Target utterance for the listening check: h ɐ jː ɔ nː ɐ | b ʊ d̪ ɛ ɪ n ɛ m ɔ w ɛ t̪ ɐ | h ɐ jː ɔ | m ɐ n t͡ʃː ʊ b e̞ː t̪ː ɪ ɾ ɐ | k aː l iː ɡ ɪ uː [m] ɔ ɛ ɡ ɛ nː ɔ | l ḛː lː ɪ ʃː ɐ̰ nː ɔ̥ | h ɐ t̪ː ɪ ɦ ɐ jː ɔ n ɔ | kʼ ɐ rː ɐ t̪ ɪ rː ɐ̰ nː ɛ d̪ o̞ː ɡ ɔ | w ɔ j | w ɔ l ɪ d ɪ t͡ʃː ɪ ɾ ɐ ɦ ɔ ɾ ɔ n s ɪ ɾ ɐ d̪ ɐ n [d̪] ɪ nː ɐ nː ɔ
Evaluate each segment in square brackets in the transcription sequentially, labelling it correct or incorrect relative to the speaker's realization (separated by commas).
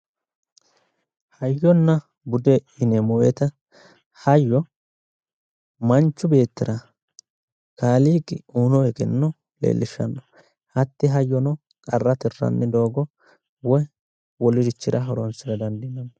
incorrect, correct